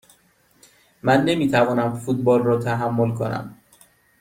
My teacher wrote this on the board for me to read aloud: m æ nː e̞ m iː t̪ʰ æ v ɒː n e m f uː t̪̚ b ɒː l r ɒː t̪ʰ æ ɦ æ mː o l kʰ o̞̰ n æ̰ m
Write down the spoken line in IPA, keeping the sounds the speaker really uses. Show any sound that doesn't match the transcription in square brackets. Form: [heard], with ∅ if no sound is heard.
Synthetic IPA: m æ nː e̞ m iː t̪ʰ æ v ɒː n [æ] m f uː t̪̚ b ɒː l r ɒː t̪ʰ æ ɦ æ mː o l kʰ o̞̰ n æ̰ m